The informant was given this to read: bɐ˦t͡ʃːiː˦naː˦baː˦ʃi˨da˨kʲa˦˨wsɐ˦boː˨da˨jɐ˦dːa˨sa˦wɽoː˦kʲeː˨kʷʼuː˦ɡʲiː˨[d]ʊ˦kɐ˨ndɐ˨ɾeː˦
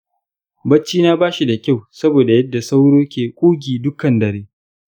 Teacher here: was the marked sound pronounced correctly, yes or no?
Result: yes